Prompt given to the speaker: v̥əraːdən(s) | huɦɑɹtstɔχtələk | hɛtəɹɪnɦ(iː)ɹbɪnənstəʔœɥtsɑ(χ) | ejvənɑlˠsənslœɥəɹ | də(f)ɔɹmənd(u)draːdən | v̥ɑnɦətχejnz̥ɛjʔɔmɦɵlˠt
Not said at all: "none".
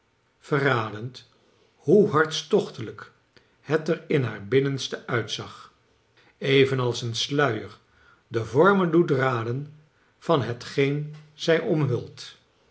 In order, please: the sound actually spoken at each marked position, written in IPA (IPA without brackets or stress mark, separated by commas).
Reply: t, aː, χ, v, u